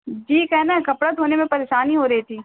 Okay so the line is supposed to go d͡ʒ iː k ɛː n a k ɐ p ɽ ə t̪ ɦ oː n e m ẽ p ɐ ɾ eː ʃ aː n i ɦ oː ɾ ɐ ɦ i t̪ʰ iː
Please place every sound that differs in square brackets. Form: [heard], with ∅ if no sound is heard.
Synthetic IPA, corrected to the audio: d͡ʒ iː k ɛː n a k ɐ p ɽ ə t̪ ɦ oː n e m ẽ p ɐ ɾ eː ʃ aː n i ɦ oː ɾ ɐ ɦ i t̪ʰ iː